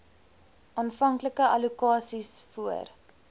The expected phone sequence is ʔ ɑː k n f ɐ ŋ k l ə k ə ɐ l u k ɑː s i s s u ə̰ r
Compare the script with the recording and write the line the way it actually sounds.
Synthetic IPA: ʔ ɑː n f ɐ ŋ k l ə k ə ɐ l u k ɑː s i s f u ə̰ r